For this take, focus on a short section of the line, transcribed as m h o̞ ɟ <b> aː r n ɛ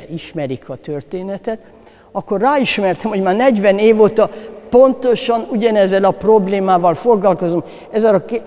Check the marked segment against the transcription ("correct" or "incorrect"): incorrect